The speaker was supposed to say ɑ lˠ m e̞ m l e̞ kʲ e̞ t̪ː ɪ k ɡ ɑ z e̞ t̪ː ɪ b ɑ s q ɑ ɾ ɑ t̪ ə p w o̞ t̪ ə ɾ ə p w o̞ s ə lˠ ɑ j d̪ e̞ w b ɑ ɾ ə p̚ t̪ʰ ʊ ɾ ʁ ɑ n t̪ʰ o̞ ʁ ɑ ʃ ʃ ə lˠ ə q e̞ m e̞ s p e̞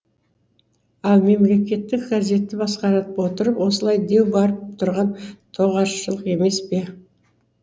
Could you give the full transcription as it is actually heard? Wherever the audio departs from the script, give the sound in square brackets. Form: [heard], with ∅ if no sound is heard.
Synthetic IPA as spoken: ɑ lˠ m e̞ m l e̞ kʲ e̞ t̪ː ɪ k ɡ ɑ z e̞ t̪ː ɪ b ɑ s q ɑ ɾ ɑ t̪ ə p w o̞ t̪ ə ɾ ə p w o̞ s ə lˠ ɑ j d̪ e̞ w b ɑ ɾ ə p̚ t̪ʰ ʊ ɾ ʁ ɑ n t̪ʰ o̞ ʁ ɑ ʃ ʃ ə lˠ ə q e̞ m e̞ s p e̞